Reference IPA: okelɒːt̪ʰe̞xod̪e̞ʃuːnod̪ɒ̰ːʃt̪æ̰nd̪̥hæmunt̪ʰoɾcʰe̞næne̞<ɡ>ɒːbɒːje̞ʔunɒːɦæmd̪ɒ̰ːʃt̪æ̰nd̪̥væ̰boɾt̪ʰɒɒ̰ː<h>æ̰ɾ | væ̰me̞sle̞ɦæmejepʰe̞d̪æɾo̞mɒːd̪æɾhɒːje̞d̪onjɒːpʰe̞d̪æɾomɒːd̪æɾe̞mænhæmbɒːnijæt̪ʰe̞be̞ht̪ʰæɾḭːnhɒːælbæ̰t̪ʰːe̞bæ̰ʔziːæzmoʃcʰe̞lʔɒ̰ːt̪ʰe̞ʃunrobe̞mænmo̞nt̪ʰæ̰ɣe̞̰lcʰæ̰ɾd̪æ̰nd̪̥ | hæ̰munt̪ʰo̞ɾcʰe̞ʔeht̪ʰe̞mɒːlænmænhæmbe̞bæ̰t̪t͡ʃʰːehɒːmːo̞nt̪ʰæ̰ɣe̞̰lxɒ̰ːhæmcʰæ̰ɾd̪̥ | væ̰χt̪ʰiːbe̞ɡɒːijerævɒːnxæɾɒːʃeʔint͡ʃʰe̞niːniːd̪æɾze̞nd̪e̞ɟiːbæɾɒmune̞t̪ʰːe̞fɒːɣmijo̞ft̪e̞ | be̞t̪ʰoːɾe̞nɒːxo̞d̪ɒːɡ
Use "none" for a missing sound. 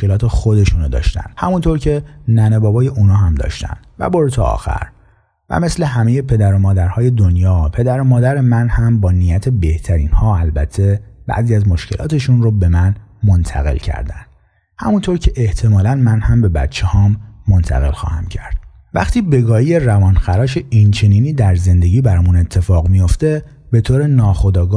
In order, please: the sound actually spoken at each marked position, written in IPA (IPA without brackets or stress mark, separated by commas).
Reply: b, x